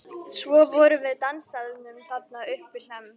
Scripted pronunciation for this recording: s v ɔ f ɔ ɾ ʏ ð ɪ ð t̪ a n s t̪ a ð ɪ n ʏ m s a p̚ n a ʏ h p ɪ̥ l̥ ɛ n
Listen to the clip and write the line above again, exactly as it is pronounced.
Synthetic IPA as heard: s v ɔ v ɔ ɾ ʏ v ɪ ð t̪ a n s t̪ a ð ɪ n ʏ m θ a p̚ n a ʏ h p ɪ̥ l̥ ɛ m